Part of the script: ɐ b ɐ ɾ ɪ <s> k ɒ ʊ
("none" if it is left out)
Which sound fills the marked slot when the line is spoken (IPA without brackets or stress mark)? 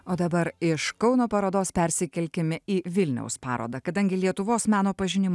ʃ